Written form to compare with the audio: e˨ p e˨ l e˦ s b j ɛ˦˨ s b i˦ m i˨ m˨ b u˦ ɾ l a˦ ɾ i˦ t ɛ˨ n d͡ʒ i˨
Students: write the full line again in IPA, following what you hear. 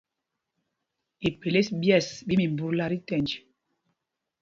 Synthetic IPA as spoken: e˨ p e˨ l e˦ s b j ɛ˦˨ s b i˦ m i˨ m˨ b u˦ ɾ l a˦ ɾ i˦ t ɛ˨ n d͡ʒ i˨